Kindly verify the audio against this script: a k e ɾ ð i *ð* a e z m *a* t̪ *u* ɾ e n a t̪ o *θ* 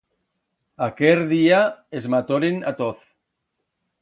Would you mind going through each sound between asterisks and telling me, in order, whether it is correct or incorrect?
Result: incorrect: none, correct, incorrect: o, correct

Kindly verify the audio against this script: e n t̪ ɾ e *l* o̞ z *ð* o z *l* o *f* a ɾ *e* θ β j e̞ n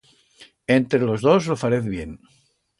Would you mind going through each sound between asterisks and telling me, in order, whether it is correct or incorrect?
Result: correct, correct, correct, correct, correct

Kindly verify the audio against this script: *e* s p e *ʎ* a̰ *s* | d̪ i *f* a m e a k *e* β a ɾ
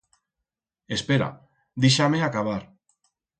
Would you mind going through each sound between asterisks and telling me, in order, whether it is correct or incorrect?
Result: correct, incorrect: ɾ, incorrect: none, incorrect: ʃ, incorrect: a

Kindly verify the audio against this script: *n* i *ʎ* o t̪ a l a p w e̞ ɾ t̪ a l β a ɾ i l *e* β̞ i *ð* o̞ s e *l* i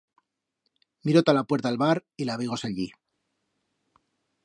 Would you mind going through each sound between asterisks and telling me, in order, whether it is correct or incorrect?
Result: incorrect: m, incorrect: ɾ, incorrect: a, incorrect: ɣ, incorrect: ʎ

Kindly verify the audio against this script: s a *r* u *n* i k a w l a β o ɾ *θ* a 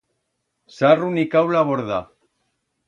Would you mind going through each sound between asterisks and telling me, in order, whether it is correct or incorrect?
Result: correct, correct, incorrect: ð

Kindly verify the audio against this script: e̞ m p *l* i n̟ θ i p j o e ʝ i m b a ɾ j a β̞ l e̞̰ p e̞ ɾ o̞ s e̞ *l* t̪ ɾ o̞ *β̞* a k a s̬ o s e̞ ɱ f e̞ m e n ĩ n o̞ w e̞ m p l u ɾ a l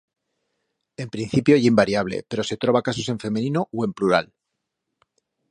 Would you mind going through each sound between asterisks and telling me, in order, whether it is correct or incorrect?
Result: incorrect: ɾ, incorrect: none, correct

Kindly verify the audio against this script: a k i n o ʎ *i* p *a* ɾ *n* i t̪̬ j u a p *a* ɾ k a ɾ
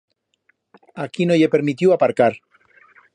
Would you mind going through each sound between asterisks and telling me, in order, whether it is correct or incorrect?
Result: incorrect: e, incorrect: e, incorrect: m, correct

